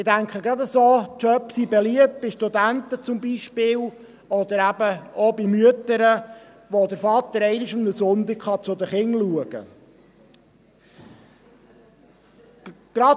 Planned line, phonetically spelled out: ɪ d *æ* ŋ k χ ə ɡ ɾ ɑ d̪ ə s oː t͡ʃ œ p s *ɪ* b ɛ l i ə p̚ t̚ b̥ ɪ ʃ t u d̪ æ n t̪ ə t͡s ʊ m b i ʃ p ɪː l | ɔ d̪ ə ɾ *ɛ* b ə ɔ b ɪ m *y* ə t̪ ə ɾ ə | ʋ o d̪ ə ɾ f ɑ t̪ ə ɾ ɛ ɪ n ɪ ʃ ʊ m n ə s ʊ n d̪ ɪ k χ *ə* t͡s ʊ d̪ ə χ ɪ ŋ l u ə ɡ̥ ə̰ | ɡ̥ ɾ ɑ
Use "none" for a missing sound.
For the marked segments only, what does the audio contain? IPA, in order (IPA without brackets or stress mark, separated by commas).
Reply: æ, i, æ, y, ɑ